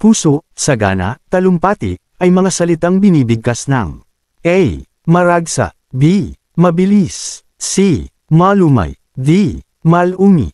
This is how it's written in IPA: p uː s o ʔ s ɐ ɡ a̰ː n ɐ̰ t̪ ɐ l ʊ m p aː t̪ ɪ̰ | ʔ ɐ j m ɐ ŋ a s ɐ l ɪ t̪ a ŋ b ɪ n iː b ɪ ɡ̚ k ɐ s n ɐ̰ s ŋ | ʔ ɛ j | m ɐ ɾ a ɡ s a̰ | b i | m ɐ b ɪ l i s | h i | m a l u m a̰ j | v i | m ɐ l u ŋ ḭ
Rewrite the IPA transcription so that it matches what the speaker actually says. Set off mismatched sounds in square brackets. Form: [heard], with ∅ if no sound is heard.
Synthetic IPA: p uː s o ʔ s ɐ ɡ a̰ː n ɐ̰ t̪ ɐ l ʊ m p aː t̪ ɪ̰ | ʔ ɐ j m ɐ ŋ a s ɐ l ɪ t̪ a ŋ b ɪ n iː b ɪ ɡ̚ k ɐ s n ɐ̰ [∅] ŋ | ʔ ɛ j | m ɐ ɾ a ɡ s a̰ | b i | m ɐ b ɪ l i s | [s] i | m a l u m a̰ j | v i | m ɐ l u ŋ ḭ